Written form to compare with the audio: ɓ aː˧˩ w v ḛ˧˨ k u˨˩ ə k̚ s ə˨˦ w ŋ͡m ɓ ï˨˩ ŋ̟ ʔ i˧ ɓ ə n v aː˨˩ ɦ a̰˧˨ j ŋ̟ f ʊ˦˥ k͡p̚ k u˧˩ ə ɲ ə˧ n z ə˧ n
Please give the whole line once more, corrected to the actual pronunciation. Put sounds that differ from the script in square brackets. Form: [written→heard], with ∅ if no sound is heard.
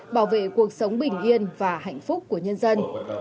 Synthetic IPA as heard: ɓ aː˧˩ w v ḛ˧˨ k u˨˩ ə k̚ s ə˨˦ w ŋ͡m ɓ ï˨˩ ŋ̟ ʔ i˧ [ɓ→∅] ə n v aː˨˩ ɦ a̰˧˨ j ŋ̟ f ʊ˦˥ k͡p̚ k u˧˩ ə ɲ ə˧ n z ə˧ n